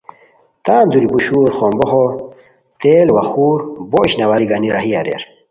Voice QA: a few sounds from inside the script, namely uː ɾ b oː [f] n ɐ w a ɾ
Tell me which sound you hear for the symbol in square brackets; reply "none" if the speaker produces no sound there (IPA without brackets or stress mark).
ɕ